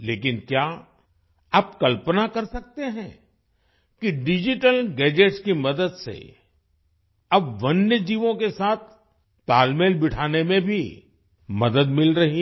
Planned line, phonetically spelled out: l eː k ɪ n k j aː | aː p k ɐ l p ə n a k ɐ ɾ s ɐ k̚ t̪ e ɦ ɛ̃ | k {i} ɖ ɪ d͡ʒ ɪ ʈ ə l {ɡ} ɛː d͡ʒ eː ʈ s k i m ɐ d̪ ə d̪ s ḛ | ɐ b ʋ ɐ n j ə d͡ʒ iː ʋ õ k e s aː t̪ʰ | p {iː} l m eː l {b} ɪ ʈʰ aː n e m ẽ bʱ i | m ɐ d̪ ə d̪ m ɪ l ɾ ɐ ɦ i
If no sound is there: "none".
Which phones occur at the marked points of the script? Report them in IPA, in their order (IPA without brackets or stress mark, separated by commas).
i, ɡ, aː, b